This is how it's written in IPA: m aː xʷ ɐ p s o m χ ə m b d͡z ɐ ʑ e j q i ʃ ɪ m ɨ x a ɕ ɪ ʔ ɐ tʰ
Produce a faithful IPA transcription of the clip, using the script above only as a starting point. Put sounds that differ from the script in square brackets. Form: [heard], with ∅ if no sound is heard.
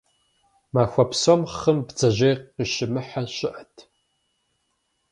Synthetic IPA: m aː xʷ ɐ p s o m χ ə m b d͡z ɐ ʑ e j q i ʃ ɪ m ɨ [ħ] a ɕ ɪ ʔ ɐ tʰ

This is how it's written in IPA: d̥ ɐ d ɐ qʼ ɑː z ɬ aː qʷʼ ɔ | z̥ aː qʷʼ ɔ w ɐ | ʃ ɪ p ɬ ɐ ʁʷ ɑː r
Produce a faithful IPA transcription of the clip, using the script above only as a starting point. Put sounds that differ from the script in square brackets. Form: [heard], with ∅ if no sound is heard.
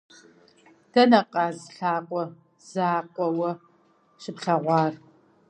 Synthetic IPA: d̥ ɐ [n] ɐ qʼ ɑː z ɬ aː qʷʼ ɔ | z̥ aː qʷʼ ɔ w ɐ | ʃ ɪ p ɬ ɐ ʁʷ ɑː r

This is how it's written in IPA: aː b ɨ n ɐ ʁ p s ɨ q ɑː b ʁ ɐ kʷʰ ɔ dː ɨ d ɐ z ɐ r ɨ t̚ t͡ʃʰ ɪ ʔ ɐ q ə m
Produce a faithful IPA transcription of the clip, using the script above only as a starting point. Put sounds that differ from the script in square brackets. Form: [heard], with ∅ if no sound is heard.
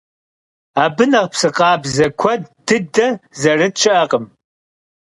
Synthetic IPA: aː b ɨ n ɐ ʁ p s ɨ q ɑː b [z] ɐ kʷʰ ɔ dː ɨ d ɐ z ɐ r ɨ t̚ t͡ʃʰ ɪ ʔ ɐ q ə m

